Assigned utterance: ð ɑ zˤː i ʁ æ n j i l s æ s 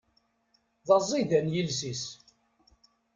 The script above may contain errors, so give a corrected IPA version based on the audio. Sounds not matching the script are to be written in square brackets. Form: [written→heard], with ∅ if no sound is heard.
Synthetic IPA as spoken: ð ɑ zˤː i [ʁ→ð] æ n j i l s [æ→i] s